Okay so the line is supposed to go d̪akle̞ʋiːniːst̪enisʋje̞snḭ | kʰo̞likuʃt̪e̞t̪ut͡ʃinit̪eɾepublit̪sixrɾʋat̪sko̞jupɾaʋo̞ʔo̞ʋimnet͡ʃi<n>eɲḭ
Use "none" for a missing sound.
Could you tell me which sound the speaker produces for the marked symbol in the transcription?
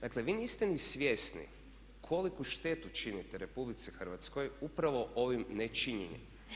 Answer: ɲ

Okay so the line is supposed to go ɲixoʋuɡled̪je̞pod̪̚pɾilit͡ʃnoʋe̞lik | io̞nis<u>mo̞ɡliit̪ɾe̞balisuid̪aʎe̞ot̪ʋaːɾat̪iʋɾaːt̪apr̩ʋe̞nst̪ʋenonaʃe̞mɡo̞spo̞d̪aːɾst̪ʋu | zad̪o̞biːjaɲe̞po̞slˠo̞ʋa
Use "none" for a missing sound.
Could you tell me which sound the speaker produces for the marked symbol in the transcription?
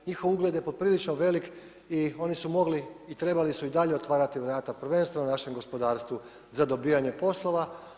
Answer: u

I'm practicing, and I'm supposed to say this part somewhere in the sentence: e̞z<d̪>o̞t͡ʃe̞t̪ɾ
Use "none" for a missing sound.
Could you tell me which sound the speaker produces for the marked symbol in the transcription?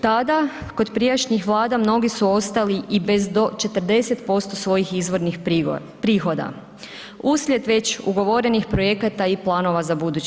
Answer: d̪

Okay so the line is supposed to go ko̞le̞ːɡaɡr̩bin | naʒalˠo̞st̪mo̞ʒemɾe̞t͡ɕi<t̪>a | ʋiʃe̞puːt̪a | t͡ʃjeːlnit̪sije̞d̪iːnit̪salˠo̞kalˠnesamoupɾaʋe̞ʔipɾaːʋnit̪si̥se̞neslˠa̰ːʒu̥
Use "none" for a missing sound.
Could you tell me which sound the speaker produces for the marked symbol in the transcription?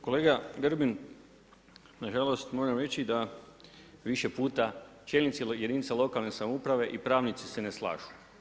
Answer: d̪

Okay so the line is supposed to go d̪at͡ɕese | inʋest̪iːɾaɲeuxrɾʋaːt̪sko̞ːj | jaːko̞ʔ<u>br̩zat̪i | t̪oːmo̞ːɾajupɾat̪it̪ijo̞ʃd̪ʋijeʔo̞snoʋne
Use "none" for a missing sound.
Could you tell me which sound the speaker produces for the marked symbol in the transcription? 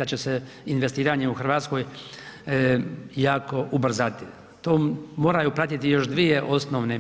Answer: u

